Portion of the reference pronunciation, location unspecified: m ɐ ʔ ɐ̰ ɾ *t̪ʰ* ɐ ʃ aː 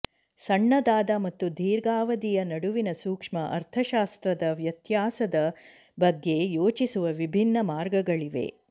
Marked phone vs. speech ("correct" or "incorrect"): correct